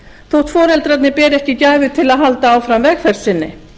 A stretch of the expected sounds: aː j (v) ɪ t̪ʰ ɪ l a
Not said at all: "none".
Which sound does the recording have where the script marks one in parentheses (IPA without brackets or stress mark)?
v